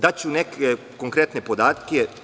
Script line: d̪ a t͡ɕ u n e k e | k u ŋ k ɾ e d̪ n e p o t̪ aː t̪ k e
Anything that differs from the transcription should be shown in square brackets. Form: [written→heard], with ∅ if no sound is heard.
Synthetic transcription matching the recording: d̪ a t͡ɕ u n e k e | k [u→o] ŋ k ɾ e [d̪→t̪] n e p o [t̪→d̪] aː t̪ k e